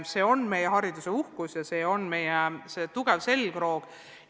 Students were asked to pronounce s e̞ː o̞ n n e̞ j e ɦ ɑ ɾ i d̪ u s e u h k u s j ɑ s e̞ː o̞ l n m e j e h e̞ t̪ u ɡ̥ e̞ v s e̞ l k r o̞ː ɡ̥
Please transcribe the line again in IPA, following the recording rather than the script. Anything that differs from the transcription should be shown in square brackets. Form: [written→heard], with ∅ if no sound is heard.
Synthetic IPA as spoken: s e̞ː o̞ n [n→m] e̞ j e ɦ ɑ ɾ i d̪ u s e u h k u s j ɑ s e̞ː o̞ [l→∅] n m e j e [h→s] e̞ t̪ u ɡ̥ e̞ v s e̞ l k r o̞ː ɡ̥